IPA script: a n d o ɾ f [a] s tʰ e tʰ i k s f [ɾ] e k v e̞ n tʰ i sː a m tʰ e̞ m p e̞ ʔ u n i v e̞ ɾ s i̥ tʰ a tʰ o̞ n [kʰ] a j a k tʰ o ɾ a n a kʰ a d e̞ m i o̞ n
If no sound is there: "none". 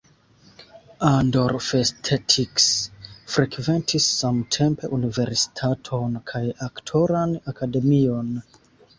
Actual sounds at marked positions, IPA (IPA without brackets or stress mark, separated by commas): e, ɾ, kʰ